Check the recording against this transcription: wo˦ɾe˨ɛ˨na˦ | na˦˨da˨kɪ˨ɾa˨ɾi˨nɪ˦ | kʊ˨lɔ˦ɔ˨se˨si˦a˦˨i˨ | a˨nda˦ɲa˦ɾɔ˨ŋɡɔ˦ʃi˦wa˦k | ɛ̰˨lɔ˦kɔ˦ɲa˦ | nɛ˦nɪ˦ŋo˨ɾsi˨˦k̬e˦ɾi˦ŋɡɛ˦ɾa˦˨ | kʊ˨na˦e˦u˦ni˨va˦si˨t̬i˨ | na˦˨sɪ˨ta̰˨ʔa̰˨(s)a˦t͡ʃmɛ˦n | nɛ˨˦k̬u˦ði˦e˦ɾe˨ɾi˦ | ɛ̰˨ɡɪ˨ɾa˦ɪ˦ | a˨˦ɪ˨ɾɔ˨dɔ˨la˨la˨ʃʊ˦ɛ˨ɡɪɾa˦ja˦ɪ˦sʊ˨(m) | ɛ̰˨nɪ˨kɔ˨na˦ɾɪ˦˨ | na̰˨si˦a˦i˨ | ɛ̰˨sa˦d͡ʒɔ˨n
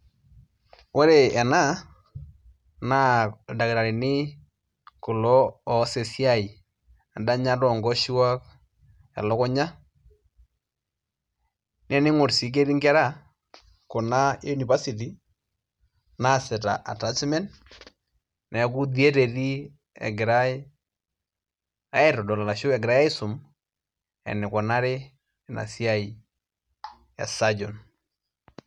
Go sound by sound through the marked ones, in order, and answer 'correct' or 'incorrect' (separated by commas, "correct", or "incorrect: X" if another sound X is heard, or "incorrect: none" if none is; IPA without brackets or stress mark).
incorrect: t, correct